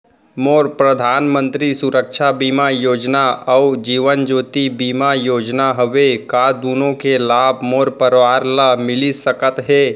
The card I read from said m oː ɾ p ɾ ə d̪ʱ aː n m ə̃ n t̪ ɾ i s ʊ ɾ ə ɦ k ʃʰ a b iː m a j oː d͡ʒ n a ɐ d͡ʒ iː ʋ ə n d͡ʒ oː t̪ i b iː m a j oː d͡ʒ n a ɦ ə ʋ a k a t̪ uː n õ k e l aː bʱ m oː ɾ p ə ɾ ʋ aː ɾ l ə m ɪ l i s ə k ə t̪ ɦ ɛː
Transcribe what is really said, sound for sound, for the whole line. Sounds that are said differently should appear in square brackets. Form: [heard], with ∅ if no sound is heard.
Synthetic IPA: m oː ɾ p ɾ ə d̪ʱ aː n m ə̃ n t̪ ɾ i s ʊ ɾ ə [∅] k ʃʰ a b iː m a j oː d͡ʒ n a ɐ d͡ʒ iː ʋ ə n d͡ʒ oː t̪ i b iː m a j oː d͡ʒ n a ɦ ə ʋ [e] k a [d̪] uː n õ k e l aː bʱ m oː ɾ p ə ɾ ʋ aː ɾ l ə m ɪ l i s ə k ə t̪ ɦ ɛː